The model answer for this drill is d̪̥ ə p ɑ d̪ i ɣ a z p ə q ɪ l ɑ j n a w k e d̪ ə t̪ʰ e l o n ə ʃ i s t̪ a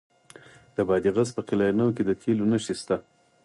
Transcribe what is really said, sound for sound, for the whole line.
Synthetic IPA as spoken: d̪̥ ə b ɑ d̪ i ɣ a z p ə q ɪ l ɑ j n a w k e d̪ ə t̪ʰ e l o n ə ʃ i s t̪ a